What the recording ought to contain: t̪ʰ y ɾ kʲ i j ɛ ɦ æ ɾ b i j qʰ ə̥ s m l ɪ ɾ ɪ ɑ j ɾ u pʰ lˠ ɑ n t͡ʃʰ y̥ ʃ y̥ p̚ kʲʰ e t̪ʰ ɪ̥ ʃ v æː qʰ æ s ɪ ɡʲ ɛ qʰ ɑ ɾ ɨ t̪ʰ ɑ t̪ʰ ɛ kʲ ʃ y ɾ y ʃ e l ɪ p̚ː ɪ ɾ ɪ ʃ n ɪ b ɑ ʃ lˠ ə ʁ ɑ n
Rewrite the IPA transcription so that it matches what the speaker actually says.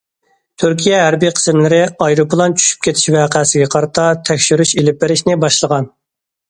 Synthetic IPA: t̪ʰ y ɾ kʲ i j ɛ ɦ æ ɾ b i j qʰ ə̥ s m l ɪ ɾ ɪ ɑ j ɾ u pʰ lˠ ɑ n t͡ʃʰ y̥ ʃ y̥ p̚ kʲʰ e t̪ʰ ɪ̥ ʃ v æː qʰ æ s ɪ ɡʲ ɛ qʰ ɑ ɾ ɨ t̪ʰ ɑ t̪ʰ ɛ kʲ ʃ y ɾ y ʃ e l ɪ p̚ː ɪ ɾ ɪ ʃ n ɪ b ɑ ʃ lˠ ə ʁ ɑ n